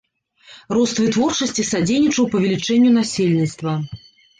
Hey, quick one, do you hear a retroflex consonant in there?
yes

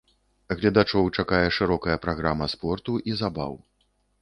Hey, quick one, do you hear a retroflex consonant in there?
yes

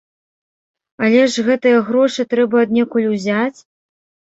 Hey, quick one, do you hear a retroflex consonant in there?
yes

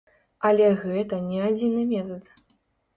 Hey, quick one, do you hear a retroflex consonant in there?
no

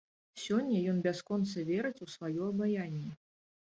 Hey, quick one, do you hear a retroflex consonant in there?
no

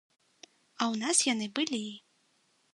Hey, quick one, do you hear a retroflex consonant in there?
no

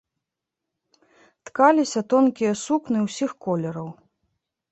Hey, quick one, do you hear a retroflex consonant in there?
no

